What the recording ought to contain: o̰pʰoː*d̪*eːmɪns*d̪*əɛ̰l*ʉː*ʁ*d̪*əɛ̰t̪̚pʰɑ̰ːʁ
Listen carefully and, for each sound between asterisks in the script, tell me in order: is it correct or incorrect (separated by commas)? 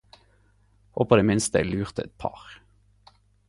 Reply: correct, incorrect, correct, incorrect